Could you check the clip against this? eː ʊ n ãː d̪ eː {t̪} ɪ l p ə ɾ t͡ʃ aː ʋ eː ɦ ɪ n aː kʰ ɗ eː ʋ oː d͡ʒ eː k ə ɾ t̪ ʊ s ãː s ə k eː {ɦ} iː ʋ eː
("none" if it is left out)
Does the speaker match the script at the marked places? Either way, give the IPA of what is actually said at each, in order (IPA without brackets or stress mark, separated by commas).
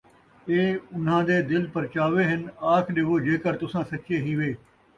d̪, ɦ